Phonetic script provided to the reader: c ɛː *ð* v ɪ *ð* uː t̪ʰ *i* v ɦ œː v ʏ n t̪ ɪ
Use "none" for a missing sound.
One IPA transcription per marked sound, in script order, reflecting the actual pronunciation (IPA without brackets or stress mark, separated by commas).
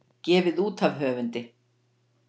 none, ð, a